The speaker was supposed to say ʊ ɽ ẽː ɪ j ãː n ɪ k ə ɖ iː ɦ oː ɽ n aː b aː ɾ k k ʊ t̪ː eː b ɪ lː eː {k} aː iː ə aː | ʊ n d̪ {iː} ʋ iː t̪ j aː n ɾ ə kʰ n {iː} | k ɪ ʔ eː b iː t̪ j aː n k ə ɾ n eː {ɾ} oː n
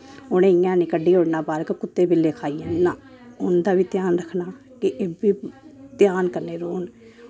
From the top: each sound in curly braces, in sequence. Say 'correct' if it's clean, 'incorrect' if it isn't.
incorrect: kʰ, incorrect: aː, incorrect: aː, correct

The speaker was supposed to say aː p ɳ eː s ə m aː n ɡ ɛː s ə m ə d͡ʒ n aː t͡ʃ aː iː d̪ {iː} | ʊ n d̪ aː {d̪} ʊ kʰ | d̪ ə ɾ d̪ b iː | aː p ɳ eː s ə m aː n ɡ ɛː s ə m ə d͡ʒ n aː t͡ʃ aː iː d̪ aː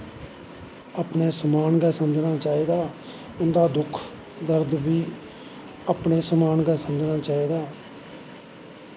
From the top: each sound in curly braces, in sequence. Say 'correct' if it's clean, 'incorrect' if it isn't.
incorrect: aː, correct

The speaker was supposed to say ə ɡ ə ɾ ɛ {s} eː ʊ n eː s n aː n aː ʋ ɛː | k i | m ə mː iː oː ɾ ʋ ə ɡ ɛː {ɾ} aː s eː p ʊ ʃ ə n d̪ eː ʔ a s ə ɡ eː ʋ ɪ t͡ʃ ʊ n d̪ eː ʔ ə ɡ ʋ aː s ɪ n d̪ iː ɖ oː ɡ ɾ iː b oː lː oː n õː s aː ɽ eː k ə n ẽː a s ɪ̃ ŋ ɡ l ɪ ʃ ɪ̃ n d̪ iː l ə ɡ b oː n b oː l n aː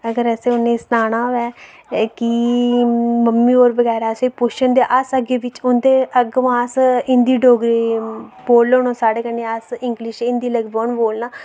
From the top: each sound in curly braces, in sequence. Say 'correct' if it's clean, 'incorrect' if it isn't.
correct, correct

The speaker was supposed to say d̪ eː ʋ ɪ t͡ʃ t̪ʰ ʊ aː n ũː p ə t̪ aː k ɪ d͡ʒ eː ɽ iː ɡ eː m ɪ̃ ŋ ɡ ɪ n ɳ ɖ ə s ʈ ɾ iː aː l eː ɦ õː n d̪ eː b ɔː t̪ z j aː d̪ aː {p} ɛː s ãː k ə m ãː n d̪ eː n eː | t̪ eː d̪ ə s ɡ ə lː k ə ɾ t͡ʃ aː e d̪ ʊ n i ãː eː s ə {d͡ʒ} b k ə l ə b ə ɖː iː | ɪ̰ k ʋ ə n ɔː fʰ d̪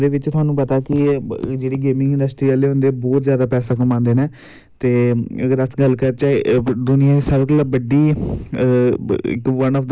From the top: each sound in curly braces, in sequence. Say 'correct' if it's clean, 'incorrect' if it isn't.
correct, incorrect: none

